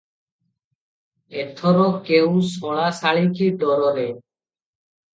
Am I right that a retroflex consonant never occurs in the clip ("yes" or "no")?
no